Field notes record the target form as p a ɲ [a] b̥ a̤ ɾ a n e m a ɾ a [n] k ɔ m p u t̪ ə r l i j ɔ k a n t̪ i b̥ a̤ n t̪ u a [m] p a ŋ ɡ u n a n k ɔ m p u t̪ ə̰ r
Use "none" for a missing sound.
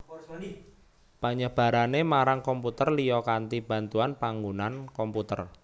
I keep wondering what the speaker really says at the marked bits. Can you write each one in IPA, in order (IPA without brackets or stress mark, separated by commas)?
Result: ə, ŋ, n